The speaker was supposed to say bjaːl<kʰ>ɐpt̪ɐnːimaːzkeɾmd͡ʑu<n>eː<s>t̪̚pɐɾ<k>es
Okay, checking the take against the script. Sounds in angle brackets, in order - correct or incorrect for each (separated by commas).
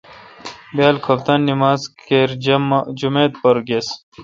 correct, incorrect, incorrect, incorrect